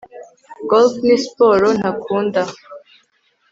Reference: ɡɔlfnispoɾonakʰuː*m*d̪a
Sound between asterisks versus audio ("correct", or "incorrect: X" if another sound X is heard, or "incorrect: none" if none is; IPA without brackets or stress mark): incorrect: n